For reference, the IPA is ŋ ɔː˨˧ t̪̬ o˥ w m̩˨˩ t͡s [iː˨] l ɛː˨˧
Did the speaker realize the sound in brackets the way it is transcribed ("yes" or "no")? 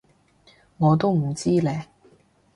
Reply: no